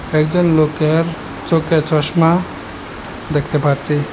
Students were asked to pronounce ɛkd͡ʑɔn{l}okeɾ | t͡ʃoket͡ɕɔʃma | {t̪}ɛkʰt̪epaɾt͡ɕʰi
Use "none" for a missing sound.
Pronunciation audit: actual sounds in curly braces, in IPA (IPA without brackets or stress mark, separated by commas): l, d̪